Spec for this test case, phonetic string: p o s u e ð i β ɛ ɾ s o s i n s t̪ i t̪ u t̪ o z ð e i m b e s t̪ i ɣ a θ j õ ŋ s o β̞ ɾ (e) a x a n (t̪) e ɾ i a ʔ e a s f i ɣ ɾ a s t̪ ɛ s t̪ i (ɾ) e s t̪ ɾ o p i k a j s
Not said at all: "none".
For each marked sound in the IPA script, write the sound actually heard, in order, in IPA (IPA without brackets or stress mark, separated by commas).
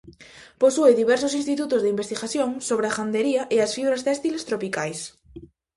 e, d̪, l